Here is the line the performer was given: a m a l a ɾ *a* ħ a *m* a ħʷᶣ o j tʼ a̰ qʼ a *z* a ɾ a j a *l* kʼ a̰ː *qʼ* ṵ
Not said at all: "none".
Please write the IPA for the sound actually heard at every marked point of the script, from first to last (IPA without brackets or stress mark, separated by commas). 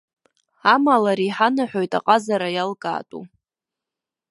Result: i, n, z, l, tʼ